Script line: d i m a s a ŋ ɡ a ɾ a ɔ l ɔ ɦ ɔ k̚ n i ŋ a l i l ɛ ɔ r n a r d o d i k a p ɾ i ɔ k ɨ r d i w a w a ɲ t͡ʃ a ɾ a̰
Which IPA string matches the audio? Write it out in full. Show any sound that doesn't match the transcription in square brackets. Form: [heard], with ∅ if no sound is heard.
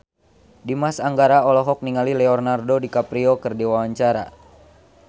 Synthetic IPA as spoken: d i m a s a ŋ ɡ a ɾ a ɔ l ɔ ɦ ɔ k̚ n i ŋ a l i l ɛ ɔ r n a r d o d i k a p ɾ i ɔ k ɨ r d i w a w a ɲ t͡ʃ a ɾ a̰